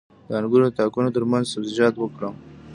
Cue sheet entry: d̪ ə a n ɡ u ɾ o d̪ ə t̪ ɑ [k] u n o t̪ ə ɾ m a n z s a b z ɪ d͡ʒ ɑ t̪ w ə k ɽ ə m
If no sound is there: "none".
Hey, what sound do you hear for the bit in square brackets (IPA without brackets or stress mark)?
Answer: k